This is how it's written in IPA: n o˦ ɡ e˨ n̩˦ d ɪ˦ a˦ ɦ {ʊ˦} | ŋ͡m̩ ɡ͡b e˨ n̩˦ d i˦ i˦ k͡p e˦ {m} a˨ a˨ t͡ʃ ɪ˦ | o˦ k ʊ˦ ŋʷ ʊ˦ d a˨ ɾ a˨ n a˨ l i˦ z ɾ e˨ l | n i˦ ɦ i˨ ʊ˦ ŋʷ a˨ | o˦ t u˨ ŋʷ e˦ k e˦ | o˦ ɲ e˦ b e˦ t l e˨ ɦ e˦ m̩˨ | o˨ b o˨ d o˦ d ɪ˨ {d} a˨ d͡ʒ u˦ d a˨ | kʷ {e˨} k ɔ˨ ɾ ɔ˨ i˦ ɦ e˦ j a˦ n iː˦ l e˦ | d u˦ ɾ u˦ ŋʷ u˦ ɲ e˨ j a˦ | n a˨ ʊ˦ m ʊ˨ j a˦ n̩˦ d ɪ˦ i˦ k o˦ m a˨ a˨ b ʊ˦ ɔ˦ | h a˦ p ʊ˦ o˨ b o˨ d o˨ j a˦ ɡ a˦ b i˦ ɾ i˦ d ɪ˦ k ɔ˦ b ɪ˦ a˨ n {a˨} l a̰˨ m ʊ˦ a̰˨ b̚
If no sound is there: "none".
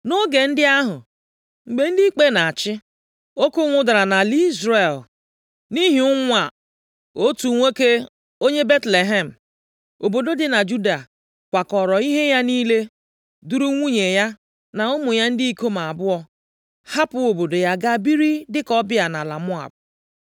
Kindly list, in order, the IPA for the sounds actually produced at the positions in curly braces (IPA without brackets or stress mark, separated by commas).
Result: ʊ˨, n, n, a˨, a˨